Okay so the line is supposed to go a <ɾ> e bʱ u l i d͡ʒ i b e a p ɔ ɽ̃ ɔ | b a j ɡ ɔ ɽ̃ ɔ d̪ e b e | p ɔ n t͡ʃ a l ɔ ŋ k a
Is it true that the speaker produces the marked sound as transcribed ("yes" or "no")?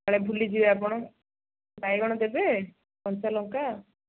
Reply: no